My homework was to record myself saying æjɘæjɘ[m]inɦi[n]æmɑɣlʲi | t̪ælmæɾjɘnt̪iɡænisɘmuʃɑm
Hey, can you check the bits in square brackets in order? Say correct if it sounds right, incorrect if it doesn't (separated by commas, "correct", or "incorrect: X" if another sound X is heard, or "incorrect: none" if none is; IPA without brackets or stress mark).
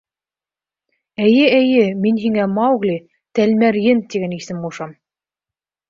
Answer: correct, incorrect: ŋ